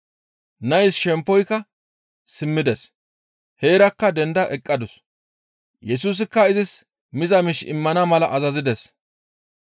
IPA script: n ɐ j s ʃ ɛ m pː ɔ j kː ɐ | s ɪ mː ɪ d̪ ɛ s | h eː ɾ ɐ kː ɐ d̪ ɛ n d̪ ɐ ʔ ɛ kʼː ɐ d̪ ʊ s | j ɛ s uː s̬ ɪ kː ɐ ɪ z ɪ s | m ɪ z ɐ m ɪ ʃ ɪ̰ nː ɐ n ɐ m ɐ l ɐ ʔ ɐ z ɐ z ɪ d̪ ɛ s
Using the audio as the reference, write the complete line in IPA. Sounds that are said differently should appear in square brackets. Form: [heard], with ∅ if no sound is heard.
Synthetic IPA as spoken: n ɐ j s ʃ ɛ m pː ɔ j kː ɐ | s ɪ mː ɪ d̪ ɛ s | h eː ɾ ɐ kː ɐ d̪ ɛ n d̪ ɐ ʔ ɛ kʼː ɐ d̪ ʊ s | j ɛ s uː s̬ ɪ kː ɐ ɪ z ɪ s | m ɪ z ɐ m ɪ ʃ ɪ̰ [mː] ɐ n ɐ m ɐ l ɐ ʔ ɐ z ɐ z ɪ d̪ ɛ s